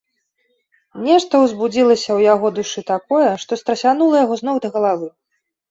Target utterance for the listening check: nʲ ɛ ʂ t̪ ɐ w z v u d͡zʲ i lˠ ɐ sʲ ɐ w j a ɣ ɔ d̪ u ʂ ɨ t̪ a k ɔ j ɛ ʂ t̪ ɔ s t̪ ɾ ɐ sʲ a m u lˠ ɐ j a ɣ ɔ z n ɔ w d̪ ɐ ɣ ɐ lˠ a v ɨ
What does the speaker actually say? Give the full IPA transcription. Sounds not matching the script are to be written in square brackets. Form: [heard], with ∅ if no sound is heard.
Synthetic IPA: nʲ ɛ ʂ t̪ ɐ w z [b] u d͡zʲ i lˠ ɐ sʲ ɐ w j a ɣ ɔ d̪ u ʂ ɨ t̪ a k ɔ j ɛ ʂ t̪ ɔ s t̪ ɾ ɐ sʲ a [n] u lˠ ɐ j a ɣ ɔ z n ɔ w d̪ ɐ ɣ ɐ lˠ a v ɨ